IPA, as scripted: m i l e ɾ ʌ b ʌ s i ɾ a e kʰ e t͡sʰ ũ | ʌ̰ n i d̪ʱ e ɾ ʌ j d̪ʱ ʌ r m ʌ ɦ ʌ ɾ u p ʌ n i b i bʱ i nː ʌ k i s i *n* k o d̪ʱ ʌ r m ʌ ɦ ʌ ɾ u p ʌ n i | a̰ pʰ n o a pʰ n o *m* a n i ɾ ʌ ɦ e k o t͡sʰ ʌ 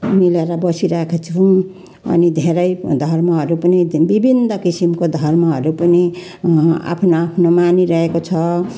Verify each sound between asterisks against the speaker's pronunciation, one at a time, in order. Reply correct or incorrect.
incorrect, correct

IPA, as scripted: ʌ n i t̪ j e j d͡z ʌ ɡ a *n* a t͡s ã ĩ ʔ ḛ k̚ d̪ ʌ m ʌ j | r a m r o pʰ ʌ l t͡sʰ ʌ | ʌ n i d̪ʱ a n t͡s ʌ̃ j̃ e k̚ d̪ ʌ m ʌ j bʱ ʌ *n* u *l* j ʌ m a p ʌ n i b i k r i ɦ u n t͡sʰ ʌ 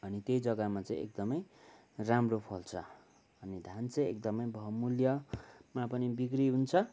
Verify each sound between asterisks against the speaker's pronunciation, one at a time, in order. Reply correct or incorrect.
incorrect, incorrect, correct

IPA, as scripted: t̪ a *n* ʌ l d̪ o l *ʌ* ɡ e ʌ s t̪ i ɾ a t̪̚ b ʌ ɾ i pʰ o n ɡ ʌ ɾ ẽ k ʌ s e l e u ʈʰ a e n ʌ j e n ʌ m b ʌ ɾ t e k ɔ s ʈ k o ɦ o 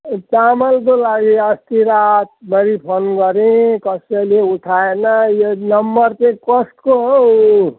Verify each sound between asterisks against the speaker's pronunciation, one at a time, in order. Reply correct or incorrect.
incorrect, incorrect

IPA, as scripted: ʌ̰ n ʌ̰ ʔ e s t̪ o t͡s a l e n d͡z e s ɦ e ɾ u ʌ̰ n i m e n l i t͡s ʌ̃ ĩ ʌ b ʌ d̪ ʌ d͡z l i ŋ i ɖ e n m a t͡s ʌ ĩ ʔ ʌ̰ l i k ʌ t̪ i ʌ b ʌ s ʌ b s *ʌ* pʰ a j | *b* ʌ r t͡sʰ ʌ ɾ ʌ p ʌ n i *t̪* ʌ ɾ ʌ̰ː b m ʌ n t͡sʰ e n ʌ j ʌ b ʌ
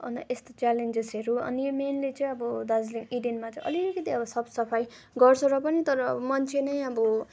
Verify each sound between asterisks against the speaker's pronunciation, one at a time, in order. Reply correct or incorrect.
correct, incorrect, correct

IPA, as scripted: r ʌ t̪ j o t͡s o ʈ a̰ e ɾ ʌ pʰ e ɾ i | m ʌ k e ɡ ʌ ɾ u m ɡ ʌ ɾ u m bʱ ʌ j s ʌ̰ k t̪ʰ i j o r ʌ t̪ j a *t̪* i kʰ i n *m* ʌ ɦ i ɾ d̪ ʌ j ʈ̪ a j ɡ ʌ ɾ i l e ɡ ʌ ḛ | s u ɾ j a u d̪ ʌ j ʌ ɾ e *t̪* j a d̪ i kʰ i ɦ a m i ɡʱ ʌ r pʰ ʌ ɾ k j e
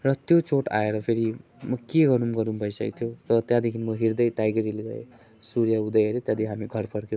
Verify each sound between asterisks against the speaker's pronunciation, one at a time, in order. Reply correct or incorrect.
incorrect, correct, correct

